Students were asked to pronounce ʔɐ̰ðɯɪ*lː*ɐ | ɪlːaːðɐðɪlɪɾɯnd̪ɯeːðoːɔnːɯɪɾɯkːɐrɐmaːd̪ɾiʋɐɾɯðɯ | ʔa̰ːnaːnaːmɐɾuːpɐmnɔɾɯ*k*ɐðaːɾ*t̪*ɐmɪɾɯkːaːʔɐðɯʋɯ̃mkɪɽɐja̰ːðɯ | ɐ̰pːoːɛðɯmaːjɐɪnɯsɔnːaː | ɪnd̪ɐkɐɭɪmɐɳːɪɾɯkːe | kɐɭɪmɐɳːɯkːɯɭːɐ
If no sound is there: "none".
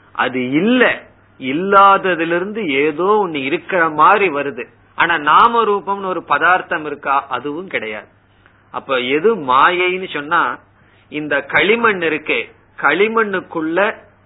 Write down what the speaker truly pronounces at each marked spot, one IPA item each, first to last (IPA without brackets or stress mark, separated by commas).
lː, p, t̪